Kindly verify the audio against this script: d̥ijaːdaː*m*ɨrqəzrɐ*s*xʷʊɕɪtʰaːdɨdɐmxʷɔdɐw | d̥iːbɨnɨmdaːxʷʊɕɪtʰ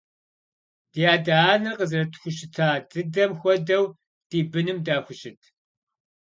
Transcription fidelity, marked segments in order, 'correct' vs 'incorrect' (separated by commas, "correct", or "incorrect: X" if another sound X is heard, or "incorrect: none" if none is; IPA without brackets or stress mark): incorrect: n, incorrect: t